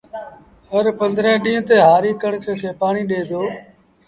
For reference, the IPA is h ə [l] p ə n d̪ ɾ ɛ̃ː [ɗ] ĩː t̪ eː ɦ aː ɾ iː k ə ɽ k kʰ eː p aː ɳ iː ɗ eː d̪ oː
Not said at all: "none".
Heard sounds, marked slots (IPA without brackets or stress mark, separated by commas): ɾ, ɗ